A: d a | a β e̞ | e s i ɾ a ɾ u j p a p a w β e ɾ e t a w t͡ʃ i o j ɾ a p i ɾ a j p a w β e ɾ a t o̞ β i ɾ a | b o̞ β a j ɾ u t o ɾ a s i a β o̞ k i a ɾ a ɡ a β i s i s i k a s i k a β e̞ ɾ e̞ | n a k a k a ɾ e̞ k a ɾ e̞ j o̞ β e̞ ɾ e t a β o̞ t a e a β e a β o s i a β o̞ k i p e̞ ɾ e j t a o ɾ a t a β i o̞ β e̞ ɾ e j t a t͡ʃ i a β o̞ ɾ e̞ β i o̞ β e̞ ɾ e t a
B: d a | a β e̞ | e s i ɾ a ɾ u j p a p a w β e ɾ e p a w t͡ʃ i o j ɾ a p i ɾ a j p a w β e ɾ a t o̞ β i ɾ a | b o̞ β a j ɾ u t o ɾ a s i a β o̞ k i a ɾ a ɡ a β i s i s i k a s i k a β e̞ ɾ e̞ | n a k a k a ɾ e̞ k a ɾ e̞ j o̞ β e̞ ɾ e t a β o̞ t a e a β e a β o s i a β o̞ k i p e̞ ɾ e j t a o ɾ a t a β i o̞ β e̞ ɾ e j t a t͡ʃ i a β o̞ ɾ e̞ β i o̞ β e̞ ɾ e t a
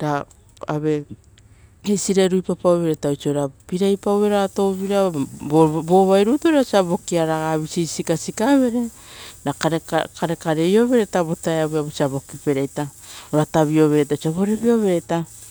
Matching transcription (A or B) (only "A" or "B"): A